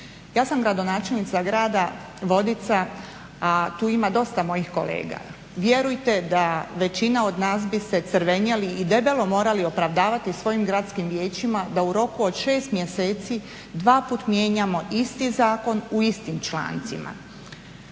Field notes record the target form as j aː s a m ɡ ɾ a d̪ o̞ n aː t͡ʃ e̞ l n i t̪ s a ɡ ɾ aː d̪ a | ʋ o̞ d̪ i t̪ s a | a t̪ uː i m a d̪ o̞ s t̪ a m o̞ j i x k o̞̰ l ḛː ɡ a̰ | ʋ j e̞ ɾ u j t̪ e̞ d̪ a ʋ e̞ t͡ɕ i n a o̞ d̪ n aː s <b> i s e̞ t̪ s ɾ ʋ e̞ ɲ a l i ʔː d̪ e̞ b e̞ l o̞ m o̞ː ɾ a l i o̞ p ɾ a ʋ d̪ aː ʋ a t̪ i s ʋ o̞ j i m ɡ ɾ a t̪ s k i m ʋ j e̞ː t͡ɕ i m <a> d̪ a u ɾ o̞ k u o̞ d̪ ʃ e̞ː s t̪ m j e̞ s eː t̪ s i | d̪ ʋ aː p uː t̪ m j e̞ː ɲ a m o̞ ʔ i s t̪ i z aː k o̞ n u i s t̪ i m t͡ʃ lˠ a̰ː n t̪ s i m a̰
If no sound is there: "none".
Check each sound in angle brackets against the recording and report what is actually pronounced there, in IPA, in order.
b, a

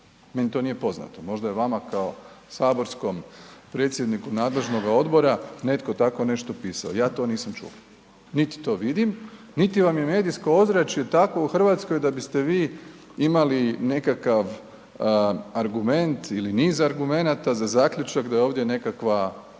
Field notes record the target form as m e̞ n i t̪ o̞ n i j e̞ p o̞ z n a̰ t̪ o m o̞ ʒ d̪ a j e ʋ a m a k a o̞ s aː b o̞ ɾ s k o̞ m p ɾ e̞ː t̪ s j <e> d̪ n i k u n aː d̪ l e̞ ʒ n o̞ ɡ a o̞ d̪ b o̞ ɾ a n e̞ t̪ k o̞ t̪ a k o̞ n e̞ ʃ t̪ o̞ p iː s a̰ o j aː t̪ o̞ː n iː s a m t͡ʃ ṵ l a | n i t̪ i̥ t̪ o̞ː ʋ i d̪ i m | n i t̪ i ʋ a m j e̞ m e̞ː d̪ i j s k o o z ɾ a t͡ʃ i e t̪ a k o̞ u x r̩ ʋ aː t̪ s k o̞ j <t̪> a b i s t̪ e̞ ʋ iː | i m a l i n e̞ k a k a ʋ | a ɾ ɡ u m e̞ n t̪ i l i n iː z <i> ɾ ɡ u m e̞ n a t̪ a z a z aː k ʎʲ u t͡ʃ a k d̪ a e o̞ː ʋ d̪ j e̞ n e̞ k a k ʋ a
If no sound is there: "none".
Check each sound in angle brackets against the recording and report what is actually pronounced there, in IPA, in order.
e, d̪, a

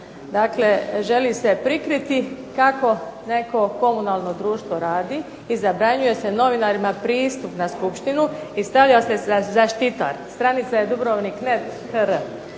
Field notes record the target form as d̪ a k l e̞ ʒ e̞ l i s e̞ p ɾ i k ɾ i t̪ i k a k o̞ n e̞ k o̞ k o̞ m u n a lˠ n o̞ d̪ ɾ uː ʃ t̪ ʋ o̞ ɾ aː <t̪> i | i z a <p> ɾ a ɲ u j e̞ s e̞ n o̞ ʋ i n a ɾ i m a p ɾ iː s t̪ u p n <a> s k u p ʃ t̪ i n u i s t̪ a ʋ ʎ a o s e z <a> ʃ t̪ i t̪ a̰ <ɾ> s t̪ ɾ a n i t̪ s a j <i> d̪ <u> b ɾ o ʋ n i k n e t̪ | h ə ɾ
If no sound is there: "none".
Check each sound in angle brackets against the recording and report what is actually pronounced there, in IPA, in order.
d̪, b, a, a, ɾ, e, u

